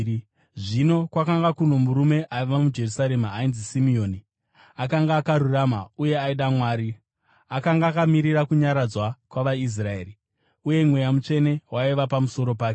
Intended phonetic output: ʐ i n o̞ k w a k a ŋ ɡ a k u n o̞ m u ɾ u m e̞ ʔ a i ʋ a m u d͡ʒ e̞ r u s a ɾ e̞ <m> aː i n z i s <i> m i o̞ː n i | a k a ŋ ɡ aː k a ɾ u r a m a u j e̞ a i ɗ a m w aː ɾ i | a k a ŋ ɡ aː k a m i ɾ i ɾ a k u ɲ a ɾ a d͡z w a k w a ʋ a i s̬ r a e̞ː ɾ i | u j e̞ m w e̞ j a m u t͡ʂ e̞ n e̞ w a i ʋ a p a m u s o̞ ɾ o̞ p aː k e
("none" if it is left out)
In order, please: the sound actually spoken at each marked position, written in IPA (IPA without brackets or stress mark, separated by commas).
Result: m, i